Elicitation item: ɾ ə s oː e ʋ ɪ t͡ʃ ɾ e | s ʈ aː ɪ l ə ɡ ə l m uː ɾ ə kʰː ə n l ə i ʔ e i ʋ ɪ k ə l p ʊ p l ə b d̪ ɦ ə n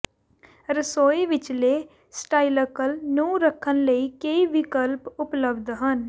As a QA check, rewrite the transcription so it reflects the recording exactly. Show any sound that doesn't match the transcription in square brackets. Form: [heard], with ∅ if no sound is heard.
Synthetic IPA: ɾ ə s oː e ʋ ɪ t͡ʃ [l] e | s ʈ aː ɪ l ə [k] ə l [n] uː ɾ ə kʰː ə n l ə i [k] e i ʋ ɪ k ə l p ʊ p l ə b d̪ ɦ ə n